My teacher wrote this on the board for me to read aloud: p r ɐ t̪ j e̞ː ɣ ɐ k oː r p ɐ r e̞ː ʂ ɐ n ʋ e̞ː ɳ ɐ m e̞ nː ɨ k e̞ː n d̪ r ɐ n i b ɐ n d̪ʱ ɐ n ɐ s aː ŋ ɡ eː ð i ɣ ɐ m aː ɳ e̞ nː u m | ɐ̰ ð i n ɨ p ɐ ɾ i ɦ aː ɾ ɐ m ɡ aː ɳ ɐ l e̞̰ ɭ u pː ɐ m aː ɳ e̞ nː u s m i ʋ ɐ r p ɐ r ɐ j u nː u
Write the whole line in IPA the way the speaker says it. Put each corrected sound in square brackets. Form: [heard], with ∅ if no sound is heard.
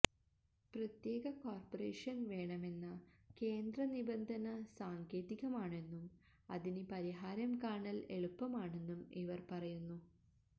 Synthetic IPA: p r ɐ t̪ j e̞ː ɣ ɐ k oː r p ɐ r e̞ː ʂ ɐ n ʋ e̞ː ɳ ɐ m e̞ nː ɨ k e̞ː n d̪ r ɐ n i b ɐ n d̪ʱ ɐ n ɐ s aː ŋ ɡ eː ð i ɣ ɐ m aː ɳ e̞ nː u m | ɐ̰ ð i n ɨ p ɐ ɾ i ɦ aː ɾ ɐ m [k] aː ɳ ɐ l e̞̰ ɭ u pː ɐ m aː ɳ e̞ nː u [∅] m i ʋ ɐ r p ɐ r ɐ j u nː u